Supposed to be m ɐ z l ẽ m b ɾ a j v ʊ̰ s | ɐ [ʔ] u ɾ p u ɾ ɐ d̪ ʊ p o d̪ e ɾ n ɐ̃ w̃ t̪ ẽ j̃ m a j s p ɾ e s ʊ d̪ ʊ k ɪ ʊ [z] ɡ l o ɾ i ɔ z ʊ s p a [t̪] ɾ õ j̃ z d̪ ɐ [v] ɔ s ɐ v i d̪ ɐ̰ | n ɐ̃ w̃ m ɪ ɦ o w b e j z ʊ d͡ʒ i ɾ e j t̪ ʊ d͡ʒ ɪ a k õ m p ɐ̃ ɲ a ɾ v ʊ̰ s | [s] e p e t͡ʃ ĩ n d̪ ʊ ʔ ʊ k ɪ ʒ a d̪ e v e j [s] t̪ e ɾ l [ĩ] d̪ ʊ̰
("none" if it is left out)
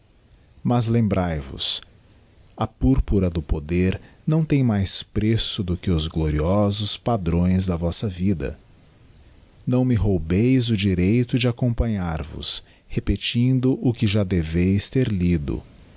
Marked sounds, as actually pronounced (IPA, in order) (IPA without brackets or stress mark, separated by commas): p, z, d̪, v, h, s, i